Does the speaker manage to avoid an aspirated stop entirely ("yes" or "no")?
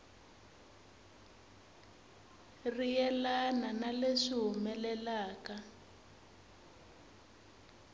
yes